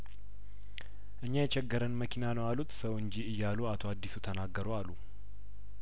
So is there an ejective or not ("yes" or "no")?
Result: no